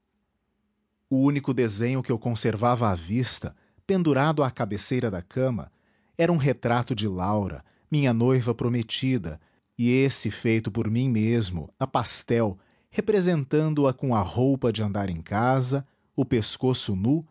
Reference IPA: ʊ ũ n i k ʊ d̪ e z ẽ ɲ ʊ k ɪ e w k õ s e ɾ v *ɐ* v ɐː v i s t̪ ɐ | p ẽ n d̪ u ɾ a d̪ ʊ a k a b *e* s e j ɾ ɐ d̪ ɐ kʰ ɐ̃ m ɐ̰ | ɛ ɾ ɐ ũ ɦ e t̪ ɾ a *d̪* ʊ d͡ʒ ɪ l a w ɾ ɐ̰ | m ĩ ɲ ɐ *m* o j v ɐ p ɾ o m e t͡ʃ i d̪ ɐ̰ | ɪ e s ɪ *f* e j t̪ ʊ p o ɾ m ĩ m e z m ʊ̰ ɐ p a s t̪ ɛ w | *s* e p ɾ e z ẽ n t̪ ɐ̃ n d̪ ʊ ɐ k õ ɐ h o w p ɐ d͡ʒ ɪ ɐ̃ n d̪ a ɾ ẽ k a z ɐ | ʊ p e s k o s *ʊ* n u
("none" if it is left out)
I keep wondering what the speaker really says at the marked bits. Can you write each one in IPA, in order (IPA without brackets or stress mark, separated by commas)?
a, e, t̪, n, f, h, ʊ